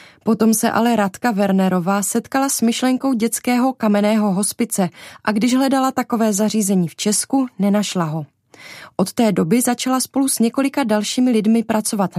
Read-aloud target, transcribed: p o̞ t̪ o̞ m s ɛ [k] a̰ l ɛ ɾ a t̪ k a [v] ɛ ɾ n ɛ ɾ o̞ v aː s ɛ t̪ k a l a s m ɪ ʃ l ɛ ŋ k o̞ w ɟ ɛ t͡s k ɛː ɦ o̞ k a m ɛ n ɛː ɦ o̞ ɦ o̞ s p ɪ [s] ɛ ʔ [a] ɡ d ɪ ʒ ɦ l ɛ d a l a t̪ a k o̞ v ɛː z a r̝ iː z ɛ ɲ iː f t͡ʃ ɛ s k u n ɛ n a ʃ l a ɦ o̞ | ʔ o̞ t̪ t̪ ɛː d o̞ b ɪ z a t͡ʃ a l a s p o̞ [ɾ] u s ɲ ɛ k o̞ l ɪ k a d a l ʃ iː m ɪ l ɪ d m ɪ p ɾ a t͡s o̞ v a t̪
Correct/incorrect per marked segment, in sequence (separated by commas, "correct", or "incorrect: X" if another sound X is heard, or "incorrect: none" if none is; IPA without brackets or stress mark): incorrect: ʔ, correct, incorrect: t͡s, correct, incorrect: l